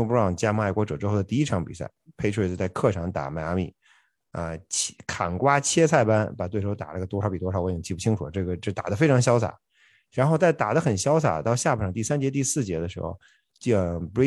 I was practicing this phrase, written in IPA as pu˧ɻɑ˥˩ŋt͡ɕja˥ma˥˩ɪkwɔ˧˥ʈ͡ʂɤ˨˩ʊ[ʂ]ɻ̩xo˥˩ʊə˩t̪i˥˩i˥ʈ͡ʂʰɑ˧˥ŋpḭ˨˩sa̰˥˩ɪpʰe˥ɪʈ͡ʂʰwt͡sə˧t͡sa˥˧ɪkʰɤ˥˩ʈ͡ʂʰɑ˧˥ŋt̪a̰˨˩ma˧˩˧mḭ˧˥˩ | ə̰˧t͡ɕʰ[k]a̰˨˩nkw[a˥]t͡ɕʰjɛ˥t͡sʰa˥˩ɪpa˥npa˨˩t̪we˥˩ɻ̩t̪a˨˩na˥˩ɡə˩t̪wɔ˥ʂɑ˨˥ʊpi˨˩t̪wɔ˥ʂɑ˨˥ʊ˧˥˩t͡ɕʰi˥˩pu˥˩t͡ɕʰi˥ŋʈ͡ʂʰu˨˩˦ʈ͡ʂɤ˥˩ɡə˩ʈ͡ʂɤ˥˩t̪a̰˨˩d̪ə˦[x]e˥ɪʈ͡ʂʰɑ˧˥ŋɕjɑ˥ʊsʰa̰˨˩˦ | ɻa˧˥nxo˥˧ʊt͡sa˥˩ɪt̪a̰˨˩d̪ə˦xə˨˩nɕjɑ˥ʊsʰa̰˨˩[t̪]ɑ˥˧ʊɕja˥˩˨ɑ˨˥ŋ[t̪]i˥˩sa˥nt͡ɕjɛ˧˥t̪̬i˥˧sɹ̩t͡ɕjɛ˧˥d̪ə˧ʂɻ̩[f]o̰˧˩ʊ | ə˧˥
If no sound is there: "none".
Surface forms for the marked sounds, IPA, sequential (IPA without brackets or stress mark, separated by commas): ʈ͡ʂ, kʰ, a˥, f, t̪, t̪, x